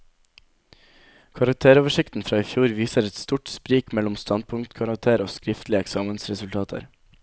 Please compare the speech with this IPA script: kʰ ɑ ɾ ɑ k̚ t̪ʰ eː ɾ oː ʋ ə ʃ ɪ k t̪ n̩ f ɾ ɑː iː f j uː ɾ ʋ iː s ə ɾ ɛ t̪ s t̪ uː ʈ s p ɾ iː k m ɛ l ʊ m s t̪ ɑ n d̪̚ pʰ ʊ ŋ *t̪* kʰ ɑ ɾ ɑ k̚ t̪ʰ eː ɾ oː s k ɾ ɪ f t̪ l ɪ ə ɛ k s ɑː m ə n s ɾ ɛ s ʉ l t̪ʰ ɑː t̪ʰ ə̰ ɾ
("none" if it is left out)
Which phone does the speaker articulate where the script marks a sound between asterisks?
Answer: t̪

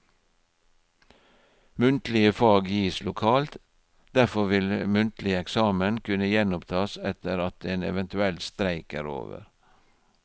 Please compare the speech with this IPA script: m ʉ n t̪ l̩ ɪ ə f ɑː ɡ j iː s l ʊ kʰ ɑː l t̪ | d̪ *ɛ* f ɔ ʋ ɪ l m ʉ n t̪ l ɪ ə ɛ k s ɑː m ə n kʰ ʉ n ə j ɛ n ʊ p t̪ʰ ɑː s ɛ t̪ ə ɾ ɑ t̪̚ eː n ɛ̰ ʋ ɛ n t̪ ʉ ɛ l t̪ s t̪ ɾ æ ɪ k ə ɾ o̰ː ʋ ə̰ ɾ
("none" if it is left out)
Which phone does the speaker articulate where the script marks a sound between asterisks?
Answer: æ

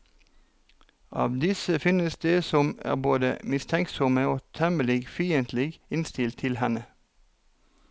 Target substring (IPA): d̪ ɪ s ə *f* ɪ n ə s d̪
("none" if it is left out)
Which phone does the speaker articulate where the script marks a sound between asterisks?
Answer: f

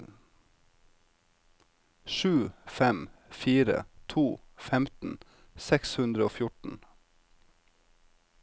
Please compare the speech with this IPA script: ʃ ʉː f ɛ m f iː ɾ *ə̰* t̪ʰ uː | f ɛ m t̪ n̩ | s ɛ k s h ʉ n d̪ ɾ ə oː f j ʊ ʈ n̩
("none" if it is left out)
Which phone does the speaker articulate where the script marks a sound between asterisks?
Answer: ə̰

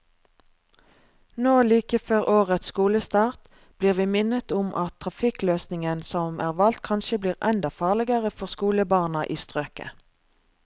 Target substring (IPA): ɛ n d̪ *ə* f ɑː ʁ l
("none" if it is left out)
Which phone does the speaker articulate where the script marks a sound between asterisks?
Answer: ɑ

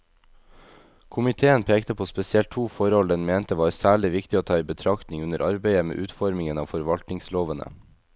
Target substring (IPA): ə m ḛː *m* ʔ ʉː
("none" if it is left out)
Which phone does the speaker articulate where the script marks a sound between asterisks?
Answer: none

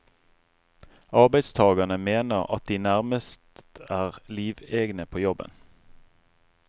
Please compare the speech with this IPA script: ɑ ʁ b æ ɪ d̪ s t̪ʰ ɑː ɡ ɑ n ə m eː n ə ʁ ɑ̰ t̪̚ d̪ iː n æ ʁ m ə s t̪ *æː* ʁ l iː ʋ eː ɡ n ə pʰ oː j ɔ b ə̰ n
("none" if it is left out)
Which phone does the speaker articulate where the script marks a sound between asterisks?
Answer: æː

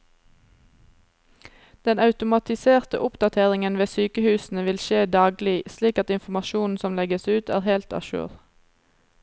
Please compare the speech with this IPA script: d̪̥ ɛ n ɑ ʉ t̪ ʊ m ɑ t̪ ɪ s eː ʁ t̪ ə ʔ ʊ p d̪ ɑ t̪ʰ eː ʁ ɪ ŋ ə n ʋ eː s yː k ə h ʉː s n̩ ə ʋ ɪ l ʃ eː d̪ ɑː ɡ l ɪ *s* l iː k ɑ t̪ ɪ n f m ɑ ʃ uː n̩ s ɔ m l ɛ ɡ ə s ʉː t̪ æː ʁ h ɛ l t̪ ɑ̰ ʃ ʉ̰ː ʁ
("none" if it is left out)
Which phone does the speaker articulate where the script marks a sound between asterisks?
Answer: s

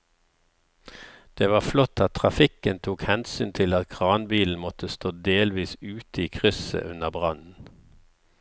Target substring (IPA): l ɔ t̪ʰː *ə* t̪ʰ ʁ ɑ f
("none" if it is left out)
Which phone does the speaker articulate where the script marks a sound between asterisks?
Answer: ɑ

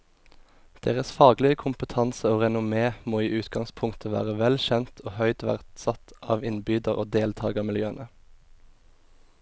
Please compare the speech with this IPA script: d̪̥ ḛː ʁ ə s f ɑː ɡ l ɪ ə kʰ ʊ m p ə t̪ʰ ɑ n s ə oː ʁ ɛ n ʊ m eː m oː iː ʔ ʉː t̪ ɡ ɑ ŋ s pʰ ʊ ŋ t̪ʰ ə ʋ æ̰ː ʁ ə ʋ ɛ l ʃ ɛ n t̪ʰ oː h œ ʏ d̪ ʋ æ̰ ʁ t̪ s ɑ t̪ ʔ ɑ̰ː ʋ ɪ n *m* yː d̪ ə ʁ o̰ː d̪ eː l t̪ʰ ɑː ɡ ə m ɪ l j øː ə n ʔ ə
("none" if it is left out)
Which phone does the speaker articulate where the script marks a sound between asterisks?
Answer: b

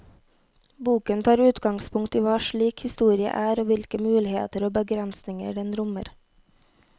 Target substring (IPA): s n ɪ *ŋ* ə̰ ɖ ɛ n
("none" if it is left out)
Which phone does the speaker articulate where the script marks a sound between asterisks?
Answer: ŋ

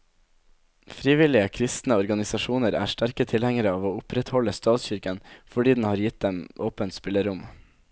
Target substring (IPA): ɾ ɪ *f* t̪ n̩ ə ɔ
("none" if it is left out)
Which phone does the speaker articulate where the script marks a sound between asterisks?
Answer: s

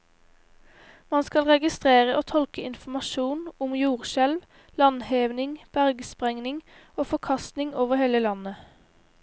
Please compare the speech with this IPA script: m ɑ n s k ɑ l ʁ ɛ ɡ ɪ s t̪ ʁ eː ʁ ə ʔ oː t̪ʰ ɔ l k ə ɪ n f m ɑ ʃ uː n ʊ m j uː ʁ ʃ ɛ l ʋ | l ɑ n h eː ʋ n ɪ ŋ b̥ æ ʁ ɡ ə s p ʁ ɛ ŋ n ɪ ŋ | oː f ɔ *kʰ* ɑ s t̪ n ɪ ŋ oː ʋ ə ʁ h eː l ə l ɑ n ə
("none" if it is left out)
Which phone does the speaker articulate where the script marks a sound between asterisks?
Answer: kʰ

